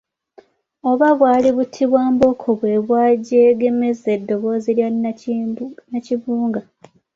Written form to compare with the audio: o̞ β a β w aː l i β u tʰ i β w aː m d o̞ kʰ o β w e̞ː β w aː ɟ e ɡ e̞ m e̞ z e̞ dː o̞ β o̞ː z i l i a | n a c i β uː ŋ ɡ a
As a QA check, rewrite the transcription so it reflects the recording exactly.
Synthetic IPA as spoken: o̞ β a β w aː l i β u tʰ i β w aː m b o̞ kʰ o β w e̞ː β w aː ɟ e ɡ e̞ m e̞ z e̞ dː o̞ β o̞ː z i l j a | n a c i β uː ŋ ɡ a